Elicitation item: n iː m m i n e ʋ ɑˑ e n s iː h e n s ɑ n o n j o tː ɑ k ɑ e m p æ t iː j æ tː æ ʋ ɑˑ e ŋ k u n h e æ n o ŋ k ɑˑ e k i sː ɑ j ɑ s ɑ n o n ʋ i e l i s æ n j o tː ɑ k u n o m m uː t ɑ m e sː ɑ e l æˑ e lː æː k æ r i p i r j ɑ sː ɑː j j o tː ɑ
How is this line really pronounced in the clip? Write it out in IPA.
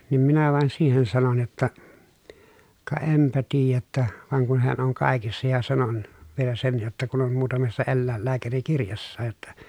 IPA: n iː m m i n æ ʋ ɑˑ e n s iː h e n s ɑ n o n j o tː ɑ k ɑ e m p æ t iː j æ tː æ ʋ ɑˑ e ŋ k u n h e æ n o ŋ k ɑˑ e k i sː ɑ j ɑ s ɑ n o n ʋ i e l æ s e n j o tː ɑ k u n o m m uː t ɑ m e sː ɑ e lː æˑ e lː æː k æ r i k i r j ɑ sː ɑː j j o tː ɑ